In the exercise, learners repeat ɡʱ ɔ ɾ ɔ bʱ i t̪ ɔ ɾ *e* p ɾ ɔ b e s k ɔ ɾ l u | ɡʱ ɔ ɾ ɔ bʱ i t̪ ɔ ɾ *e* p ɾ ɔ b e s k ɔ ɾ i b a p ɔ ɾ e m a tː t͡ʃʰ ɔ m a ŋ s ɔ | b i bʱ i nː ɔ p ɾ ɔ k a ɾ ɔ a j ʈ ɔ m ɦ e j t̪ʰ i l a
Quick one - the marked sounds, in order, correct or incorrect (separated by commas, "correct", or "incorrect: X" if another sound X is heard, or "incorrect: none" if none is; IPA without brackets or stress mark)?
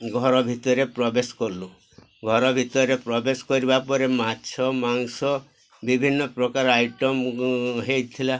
correct, correct